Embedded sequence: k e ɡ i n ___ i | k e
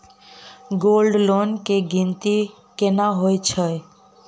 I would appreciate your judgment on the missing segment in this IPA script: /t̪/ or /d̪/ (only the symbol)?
t̪